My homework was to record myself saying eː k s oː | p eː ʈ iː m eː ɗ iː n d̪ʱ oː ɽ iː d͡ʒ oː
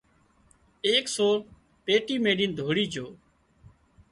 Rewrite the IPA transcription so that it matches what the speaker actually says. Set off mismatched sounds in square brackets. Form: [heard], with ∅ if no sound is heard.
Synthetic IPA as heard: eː k s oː | p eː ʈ iː m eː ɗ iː n d̪ʱ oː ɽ iː d͡ʒ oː

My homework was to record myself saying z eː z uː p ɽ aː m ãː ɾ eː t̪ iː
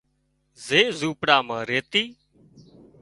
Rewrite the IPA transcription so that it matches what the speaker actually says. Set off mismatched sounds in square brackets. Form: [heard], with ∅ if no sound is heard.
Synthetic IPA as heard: z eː z uː p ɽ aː m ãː ɾ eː t̪ iː

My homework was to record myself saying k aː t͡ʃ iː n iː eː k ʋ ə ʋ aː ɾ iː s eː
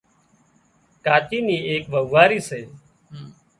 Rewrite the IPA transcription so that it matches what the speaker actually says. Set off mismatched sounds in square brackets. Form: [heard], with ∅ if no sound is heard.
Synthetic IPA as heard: k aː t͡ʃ iː n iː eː k ʋ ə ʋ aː ɾ iː s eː

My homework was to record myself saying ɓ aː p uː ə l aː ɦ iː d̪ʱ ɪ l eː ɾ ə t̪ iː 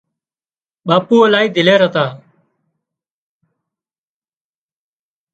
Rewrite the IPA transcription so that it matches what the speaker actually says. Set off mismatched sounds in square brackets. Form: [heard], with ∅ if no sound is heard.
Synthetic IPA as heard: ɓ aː p uː ə l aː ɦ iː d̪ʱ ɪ l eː ɾ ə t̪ [aː]

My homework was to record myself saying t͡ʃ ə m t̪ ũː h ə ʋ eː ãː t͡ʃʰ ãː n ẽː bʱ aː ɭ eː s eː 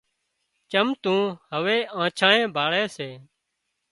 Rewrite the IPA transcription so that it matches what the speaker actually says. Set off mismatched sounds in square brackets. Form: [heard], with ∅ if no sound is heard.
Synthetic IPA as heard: t͡ʃ ə m t̪ ũː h ə ʋ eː ãː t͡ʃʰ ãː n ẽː bʱ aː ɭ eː s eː

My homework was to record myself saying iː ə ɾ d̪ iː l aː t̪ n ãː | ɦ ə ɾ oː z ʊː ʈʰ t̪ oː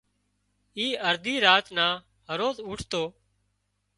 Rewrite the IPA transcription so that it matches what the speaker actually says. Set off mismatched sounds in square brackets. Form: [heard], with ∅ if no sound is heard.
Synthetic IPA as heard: iː ə ɾ d̪ iː [ɾ] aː t̪ n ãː | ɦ ə ɾ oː z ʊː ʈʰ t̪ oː

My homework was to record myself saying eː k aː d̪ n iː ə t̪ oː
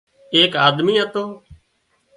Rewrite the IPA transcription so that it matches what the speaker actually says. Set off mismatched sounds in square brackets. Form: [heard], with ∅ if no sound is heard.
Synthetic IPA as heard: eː k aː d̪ [m] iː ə t̪ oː

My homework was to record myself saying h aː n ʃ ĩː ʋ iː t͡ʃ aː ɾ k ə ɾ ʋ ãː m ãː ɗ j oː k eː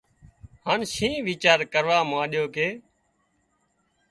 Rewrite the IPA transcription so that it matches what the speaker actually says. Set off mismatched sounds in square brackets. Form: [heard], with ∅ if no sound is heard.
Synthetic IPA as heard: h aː n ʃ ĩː ʋ iː t͡ʃ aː ɾ k ə ɾ ʋ [aː] m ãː ɗ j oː k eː

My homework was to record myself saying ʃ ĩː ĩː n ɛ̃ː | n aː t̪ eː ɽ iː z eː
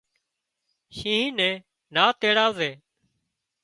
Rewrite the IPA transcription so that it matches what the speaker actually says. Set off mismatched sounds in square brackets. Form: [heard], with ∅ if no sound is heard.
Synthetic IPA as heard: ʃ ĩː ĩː n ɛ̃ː | n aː t̪ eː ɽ [aː] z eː

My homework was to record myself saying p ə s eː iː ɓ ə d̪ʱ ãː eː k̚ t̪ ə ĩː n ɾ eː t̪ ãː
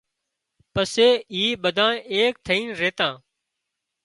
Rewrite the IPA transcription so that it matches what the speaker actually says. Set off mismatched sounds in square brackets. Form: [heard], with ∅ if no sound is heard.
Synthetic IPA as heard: p ə s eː iː ɓ ə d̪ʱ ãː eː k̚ [t̪ʰ] ə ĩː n ɾ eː t̪ ãː

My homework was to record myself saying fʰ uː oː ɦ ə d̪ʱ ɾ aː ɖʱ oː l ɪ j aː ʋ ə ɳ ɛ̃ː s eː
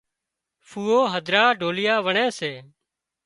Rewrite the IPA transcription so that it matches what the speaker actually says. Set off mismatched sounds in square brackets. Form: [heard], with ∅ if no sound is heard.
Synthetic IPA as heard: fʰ uː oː ɦ ə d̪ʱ ɾ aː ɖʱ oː l ɪ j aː ʋ ə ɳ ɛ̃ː s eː

